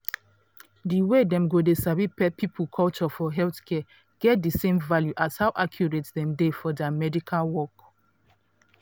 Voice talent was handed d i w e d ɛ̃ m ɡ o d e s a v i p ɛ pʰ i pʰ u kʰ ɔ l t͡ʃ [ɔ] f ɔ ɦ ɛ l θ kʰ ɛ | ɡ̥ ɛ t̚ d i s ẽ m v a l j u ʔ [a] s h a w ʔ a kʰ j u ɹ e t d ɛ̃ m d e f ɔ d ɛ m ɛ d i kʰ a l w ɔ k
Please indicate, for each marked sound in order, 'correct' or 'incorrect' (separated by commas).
correct, correct